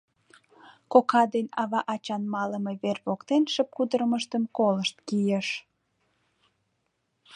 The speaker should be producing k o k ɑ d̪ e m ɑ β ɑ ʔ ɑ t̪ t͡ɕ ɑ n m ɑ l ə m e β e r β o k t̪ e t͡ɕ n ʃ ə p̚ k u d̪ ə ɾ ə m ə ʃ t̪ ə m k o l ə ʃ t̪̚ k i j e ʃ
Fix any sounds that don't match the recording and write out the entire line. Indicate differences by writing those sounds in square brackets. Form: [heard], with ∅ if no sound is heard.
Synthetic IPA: k o k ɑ d̪ e [n] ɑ β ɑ ʔ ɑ [∅] t͡ɕ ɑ n m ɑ l ə m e β e r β o k t̪ e [∅] n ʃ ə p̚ k u d̪ ə ɾ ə m ə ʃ t̪ ə m k o l ə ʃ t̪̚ k i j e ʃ